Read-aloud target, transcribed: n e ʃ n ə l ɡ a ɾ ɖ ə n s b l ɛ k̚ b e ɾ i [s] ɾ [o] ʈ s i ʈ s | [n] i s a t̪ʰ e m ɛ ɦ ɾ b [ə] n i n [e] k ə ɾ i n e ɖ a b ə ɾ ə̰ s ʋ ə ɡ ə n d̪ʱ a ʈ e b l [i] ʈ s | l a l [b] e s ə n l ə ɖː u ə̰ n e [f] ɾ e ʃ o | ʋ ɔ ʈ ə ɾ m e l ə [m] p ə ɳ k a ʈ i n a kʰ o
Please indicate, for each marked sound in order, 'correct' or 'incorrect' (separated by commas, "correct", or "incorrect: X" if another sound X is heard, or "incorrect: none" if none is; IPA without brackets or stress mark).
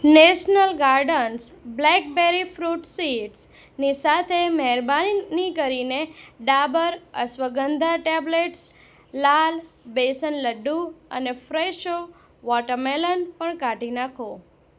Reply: incorrect: f, incorrect: u, correct, incorrect: a, incorrect: i, incorrect: e, correct, correct, incorrect: n